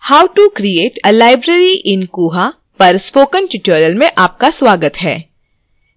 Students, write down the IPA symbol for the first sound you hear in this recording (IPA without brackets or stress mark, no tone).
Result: h